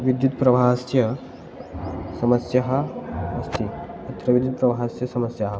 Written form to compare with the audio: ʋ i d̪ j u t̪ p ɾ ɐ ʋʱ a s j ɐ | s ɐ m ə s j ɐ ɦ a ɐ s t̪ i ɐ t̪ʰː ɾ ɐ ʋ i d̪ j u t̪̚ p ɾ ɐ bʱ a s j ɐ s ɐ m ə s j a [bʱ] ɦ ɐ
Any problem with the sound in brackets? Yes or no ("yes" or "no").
yes